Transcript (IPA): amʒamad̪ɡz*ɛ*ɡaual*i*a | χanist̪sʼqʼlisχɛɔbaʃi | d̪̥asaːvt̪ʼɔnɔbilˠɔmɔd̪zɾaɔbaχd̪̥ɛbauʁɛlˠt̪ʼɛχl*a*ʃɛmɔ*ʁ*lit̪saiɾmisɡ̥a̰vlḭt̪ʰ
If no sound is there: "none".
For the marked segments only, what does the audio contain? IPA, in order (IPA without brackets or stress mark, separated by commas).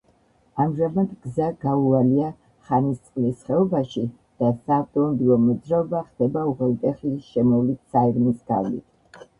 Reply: a, i, i, v